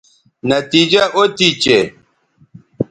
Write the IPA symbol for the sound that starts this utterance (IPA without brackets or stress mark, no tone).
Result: n